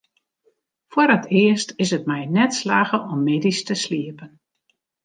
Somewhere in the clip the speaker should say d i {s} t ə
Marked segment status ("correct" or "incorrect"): correct